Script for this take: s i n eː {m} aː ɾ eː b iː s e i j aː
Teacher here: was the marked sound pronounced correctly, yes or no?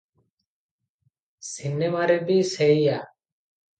yes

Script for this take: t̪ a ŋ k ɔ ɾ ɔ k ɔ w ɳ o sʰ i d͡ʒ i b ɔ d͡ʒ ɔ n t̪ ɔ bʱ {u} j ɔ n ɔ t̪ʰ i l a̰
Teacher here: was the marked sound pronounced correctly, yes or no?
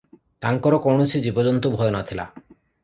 no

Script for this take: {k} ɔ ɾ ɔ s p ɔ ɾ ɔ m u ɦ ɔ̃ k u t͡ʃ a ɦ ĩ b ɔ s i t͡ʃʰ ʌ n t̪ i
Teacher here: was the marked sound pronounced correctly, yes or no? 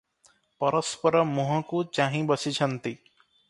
no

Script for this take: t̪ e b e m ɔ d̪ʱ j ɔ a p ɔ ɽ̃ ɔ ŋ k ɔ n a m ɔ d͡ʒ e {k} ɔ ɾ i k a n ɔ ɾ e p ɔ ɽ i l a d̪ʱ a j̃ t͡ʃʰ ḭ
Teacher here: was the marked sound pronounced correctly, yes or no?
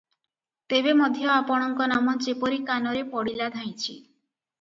no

